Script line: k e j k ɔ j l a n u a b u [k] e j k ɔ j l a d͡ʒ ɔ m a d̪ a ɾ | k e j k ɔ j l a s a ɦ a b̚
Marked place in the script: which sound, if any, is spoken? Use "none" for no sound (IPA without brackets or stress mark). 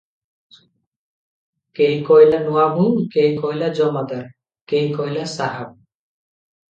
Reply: k